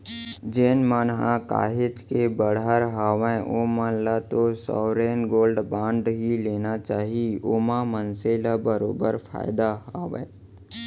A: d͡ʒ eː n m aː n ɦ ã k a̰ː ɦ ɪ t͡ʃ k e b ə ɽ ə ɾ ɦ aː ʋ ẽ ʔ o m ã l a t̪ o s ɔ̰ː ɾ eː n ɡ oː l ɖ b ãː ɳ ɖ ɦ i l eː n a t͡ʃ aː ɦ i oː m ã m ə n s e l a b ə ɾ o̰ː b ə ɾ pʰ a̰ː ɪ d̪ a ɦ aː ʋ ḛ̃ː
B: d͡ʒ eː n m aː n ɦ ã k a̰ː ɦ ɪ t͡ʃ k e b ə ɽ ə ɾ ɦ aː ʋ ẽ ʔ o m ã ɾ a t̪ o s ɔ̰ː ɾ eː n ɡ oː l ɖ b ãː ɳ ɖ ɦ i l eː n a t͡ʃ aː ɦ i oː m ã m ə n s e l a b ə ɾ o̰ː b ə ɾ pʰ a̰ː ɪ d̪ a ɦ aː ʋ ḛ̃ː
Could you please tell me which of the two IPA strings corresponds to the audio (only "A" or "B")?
A